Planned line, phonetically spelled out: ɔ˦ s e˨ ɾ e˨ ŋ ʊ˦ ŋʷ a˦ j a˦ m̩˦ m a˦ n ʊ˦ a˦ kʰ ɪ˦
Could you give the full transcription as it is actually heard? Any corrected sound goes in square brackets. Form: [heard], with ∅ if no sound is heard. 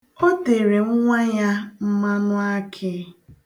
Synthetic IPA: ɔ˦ [t] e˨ ɾ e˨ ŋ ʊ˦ ŋʷ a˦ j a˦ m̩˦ m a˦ n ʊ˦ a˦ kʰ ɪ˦

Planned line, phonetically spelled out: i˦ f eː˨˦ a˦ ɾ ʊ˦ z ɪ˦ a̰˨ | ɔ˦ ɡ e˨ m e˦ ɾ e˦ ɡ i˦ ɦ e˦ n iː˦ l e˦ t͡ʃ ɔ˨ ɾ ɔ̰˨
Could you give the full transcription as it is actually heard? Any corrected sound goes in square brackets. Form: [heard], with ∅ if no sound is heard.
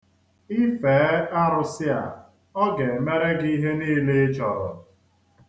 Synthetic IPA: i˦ f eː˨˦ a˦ ɾ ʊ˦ [s] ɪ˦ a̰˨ | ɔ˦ ɡ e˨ m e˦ ɾ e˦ ɡ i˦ ɦ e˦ n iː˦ l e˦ t͡ʃ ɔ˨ ɾ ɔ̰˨

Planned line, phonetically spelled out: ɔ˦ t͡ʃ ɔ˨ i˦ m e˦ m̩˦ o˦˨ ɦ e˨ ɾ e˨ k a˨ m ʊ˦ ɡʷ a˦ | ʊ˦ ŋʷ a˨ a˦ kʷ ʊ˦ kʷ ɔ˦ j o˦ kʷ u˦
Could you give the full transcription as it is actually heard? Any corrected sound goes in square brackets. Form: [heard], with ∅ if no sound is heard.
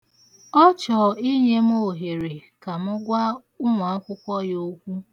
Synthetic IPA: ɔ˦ t͡ʃ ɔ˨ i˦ [ɲ] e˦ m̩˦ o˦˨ ɦ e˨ ɾ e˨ k a˨ m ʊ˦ ɡʷ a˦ | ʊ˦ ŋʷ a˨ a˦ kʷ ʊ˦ kʷ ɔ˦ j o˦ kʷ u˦

